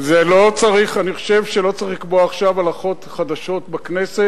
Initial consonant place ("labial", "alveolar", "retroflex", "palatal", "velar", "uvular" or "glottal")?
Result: alveolar